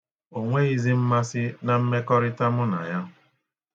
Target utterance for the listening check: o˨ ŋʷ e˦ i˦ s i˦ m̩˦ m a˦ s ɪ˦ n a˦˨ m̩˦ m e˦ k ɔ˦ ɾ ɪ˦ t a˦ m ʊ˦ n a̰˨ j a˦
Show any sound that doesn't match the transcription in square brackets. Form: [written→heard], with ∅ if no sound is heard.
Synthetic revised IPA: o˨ ŋʷ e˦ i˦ [s→z] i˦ m̩˦ m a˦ s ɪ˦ n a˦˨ m̩˦ m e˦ k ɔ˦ ɾ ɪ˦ t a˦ m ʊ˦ n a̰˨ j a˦